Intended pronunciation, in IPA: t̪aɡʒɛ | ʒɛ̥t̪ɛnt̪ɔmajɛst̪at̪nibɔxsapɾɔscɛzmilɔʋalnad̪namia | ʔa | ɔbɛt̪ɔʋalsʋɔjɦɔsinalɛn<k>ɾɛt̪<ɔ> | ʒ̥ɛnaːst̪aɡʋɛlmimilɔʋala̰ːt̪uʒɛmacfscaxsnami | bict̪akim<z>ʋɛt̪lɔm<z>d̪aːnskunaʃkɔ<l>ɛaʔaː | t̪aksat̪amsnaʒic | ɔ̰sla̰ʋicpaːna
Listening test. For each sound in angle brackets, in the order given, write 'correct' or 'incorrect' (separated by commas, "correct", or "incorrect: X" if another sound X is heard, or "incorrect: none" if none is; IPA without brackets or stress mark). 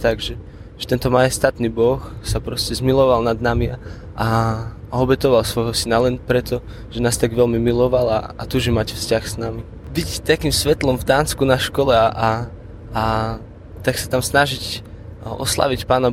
incorrect: p, correct, incorrect: s, incorrect: v, correct